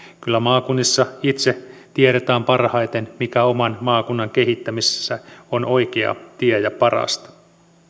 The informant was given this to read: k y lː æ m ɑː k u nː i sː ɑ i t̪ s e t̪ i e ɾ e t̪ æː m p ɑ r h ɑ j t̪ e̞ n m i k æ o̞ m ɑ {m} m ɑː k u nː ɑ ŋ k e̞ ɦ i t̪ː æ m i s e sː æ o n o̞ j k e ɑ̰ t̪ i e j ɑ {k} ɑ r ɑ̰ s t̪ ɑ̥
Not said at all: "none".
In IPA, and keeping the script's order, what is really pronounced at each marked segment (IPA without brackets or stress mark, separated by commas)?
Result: n, p